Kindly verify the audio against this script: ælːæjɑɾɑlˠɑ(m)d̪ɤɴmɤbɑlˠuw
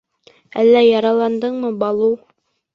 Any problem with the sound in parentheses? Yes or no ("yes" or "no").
yes